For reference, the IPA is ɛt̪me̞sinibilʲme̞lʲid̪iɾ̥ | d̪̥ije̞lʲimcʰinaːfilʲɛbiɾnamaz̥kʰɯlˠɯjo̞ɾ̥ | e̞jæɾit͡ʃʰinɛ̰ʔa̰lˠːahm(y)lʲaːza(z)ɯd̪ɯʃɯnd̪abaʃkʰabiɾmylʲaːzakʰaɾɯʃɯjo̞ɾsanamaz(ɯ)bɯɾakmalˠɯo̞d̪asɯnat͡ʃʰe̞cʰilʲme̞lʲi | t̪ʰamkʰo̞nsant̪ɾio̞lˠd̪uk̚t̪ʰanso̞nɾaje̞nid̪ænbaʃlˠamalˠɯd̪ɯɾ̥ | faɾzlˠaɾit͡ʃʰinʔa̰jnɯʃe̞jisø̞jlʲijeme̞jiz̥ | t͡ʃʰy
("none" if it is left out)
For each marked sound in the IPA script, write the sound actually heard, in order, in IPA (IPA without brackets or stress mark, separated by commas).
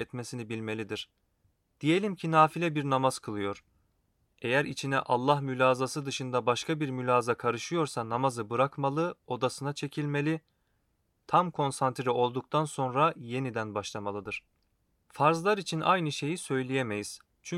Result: y, s, ɯ